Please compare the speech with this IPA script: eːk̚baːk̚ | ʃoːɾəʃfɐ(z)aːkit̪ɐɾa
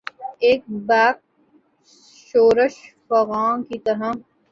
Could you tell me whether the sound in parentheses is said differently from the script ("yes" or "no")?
yes